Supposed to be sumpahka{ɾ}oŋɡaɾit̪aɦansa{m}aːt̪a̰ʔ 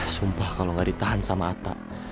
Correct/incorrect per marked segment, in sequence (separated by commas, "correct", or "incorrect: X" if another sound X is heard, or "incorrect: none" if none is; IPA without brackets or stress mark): incorrect: l, correct